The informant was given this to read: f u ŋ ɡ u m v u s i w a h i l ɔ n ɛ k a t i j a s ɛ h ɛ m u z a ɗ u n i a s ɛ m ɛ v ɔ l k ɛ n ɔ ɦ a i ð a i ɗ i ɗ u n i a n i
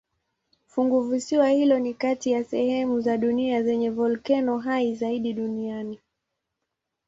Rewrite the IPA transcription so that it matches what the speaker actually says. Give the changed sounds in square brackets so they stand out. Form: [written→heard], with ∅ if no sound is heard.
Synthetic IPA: f u ŋ ɡ u [m→∅] v u s i w a h i l ɔ n [ɛ→i] k a t i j a s ɛ h ɛ m u z a ɗ u n i a [s→z] ɛ [m→ɲ] ɛ v ɔ l k ɛ n ɔ ɦ a i [ð→z] a i ɗ i ɗ u n i a n i